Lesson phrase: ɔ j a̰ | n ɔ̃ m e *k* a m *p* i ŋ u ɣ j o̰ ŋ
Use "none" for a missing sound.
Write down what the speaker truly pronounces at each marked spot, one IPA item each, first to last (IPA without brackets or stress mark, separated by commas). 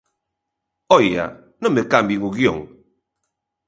k, b